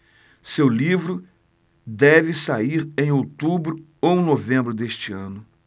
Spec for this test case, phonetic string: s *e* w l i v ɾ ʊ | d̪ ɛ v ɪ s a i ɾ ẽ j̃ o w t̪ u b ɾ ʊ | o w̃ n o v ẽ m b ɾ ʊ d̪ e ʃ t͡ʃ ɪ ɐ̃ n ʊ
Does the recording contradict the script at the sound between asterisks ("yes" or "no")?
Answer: no